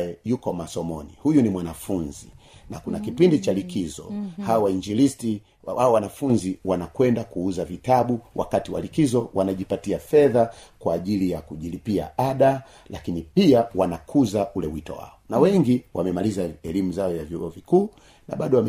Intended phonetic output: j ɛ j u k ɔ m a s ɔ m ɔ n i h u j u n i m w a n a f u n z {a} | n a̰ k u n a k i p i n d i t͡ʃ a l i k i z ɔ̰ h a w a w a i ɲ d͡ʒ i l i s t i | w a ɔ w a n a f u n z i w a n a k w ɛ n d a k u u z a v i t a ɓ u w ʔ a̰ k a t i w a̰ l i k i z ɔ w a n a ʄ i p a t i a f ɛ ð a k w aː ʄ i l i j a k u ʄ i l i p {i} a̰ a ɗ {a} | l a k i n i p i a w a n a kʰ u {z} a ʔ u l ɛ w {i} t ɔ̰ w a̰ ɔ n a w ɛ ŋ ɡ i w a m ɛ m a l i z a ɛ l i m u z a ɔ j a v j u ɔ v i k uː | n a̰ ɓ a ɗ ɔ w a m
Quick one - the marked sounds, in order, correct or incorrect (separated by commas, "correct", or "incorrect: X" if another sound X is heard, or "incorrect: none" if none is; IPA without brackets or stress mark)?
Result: incorrect: i, correct, correct, correct, correct